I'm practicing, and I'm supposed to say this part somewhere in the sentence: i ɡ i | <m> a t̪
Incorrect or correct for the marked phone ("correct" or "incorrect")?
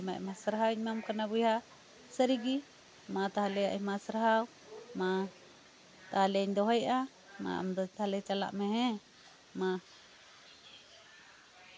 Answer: correct